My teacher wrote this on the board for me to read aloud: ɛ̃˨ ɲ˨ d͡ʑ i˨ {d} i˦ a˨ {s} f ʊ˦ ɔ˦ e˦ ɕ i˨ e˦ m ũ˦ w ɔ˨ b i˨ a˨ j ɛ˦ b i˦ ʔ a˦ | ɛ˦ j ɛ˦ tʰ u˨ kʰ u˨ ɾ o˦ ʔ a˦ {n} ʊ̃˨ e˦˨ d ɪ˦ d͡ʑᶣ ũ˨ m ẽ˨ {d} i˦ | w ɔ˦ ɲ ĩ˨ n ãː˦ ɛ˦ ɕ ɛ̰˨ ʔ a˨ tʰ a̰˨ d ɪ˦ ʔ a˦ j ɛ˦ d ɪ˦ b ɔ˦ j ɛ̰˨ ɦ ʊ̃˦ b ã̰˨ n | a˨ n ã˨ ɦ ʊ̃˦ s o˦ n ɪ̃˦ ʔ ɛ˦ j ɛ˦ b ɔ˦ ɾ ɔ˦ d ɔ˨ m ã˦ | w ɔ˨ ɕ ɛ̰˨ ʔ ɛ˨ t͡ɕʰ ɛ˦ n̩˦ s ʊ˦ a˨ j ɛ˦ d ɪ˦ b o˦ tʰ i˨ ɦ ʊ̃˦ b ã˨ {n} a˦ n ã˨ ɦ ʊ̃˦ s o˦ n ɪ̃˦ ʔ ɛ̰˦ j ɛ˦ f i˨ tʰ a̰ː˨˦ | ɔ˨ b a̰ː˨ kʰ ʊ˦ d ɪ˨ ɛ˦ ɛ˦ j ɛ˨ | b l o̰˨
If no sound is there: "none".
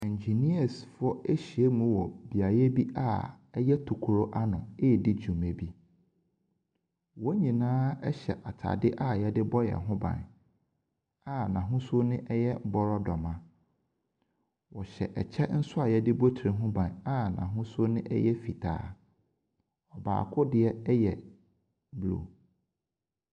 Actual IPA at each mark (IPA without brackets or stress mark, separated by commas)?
n, s, n, b, n